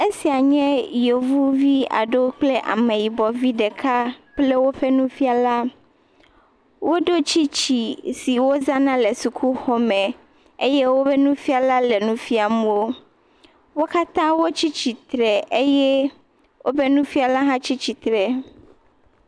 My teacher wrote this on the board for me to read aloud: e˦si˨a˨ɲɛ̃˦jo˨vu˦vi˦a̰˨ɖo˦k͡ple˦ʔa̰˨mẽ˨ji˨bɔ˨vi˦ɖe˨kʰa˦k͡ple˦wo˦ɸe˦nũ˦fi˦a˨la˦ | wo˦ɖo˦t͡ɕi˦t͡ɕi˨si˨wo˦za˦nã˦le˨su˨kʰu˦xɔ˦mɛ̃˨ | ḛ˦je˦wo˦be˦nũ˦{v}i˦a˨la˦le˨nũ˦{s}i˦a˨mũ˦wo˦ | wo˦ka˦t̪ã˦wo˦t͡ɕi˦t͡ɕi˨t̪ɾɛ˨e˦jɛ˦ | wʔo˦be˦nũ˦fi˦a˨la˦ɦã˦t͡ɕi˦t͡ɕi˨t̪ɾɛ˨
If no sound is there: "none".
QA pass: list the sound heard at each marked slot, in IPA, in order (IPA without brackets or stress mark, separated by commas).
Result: f, f